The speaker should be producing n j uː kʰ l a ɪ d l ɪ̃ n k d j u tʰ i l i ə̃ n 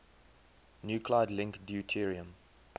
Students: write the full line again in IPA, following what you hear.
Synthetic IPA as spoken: n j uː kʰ l a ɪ d l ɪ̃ ŋ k d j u tʰ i ɹ i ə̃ m